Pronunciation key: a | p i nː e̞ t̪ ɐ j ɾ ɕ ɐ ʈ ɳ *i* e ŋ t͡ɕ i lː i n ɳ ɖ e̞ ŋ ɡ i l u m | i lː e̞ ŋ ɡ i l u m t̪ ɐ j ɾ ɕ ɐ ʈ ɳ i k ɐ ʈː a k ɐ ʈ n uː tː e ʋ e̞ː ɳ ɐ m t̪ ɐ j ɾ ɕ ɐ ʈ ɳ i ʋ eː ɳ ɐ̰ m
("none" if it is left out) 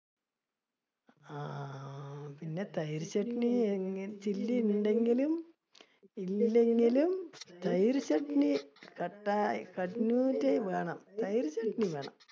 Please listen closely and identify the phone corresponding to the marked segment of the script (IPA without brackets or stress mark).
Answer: i